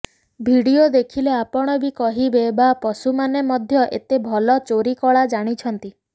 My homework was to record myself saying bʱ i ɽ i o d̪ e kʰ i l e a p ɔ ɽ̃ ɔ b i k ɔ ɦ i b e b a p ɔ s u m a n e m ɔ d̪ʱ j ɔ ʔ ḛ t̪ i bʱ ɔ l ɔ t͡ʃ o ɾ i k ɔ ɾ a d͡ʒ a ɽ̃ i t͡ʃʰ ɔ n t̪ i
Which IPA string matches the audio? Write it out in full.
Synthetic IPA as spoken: bʱ i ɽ i o d̪ e kʰ i l e a p ɔ ɽ̃ ɔ b i k ɔ ɦ i b e b a p ɔ s u m a n e m ɔ d̪ʱ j ɔ ʔ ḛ t̪ e bʱ ɔ l ɔ t͡ʃ o ɾ i k ɔ ɭ a d͡ʒ a ɽ̃ i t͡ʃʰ ɔ n t̪ i